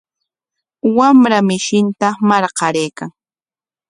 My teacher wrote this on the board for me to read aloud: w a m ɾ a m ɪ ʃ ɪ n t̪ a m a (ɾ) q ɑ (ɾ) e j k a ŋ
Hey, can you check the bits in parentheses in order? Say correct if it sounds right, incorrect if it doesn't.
correct, correct

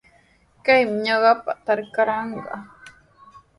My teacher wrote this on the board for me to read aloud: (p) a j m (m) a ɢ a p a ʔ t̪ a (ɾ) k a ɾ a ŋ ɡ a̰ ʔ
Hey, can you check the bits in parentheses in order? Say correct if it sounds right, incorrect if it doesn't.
incorrect: k, incorrect: ɲ, correct

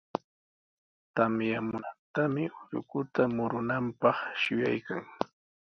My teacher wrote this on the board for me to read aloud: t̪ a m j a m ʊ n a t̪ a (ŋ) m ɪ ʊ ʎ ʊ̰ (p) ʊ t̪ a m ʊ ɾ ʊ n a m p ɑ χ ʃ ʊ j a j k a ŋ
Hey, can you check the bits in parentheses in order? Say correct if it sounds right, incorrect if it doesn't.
incorrect: none, incorrect: k

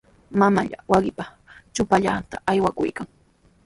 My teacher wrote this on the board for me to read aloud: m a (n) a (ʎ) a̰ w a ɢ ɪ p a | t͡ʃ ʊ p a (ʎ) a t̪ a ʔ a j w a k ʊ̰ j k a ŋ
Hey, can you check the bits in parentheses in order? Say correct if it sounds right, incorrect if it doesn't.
incorrect: m, correct, correct

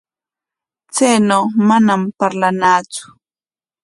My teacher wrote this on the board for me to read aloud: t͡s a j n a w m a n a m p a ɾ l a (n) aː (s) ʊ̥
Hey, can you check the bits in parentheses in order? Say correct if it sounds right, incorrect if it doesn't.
correct, incorrect: t͡s

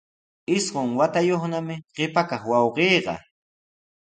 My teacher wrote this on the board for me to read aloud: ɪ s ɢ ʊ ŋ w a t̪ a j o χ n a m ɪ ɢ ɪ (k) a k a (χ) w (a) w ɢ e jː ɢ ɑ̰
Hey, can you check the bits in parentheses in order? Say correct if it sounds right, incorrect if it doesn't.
incorrect: p, correct, incorrect: ɑ

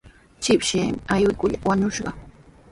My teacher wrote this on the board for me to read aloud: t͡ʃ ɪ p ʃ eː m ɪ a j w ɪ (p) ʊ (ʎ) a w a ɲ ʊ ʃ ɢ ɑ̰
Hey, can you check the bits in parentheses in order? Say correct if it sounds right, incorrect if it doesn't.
incorrect: k, correct

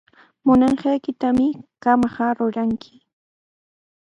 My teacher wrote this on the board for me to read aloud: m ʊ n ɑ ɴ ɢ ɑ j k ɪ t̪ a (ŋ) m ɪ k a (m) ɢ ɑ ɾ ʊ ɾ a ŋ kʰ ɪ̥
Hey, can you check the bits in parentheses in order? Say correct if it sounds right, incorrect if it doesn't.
incorrect: none, correct

